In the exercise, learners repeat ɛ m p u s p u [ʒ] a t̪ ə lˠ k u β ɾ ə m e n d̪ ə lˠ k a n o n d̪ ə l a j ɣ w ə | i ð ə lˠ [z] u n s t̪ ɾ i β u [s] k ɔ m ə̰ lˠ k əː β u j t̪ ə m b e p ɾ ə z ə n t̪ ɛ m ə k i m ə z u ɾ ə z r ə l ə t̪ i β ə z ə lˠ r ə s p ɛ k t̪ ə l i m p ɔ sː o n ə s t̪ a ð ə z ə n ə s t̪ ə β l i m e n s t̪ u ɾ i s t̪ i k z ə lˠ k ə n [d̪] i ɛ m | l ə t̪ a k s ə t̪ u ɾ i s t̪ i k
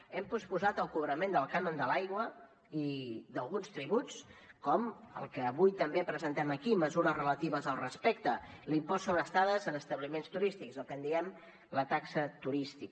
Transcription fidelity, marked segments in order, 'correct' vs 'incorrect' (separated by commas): incorrect, incorrect, incorrect, correct